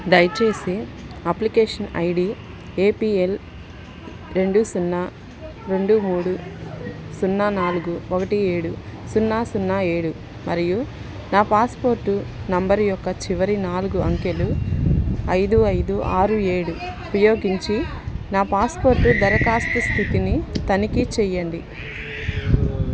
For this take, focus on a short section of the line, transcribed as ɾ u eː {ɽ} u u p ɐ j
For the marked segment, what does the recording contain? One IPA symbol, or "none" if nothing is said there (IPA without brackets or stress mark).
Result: ɽ